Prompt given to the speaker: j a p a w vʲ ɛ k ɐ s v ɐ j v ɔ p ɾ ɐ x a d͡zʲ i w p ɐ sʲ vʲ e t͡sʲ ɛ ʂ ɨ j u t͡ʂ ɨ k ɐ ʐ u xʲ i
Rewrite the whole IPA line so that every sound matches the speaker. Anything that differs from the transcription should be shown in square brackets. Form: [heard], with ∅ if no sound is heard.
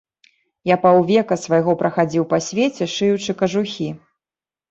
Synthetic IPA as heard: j a p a w vʲ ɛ k ɐ s v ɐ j [ɣ] ɔ p ɾ ɐ x a d͡zʲ i w p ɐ sʲ vʲ e t͡sʲ ɛ ʂ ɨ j u t͡ʂ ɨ k ɐ ʐ u xʲ i